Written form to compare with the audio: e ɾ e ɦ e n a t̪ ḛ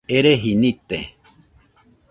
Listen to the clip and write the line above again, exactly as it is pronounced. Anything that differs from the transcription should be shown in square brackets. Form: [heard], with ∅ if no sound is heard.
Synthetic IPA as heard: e ɾ e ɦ [i] n [i] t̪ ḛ